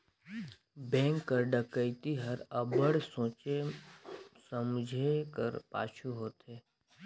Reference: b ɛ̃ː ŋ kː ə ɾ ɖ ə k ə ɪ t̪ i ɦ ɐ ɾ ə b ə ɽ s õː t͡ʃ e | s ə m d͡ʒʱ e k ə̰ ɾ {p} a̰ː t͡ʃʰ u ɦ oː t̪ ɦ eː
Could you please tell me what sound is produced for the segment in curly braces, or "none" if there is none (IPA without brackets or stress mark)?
p